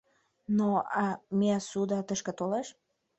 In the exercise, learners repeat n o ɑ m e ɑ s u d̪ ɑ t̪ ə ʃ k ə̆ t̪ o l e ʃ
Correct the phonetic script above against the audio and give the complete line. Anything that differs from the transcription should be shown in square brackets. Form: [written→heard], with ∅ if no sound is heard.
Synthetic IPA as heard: n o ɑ m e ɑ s u d̪ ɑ t̪ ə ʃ k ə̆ t̪ o l e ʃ